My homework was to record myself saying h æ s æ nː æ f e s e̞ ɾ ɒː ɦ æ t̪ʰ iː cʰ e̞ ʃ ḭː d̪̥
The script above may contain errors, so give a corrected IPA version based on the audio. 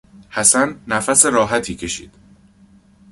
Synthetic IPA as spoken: h æ s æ nː æ f æ s e̞ ɾ ɒː ɦ æ t̪ʰ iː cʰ e̞ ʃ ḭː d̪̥